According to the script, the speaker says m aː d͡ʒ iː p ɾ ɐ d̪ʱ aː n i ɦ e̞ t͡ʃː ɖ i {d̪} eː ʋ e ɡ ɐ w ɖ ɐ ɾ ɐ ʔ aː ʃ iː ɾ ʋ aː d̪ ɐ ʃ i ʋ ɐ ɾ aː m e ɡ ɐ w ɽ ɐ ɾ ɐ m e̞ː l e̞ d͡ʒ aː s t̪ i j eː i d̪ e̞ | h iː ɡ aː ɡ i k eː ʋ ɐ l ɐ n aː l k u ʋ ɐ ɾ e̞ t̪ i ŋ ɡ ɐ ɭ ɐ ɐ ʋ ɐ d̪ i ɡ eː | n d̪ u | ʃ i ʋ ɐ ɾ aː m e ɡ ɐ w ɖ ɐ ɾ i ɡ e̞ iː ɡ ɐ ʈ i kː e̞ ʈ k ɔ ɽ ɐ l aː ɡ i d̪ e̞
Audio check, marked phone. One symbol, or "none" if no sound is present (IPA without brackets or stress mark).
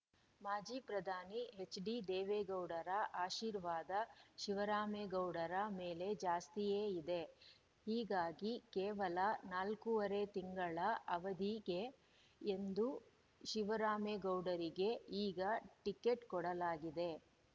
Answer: d̪